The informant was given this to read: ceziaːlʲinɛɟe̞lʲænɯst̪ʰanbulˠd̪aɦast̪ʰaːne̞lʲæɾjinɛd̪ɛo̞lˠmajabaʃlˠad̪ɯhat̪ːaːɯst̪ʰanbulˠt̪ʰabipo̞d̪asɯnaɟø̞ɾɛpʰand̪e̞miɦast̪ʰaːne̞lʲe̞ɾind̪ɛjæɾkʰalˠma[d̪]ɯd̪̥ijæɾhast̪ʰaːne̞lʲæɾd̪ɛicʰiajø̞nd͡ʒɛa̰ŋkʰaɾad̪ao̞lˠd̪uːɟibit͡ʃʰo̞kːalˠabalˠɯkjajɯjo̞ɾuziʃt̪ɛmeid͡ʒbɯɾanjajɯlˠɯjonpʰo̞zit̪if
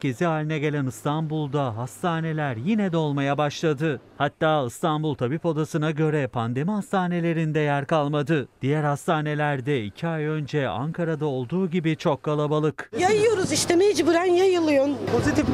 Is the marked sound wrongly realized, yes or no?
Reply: no